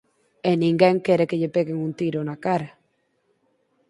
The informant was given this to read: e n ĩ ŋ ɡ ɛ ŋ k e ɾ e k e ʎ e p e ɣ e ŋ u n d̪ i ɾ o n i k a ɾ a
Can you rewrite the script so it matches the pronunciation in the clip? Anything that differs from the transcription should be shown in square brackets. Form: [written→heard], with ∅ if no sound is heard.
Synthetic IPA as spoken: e n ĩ ŋ ɡ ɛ ŋ k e ɾ e k e ʎ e p e ɣ e ŋ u n [d̪→t̪] i ɾ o n [i→a] k a ɾ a